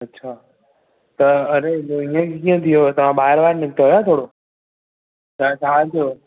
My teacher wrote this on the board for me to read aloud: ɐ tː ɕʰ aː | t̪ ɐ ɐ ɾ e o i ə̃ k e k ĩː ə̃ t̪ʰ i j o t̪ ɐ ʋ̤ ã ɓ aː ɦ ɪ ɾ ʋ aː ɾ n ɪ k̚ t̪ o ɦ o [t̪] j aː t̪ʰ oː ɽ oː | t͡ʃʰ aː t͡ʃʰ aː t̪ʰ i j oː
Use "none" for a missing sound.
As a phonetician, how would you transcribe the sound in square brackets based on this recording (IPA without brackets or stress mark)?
none